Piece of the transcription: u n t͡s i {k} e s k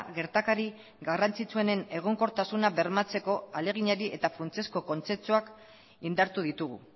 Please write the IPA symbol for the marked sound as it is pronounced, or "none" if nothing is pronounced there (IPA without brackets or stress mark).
none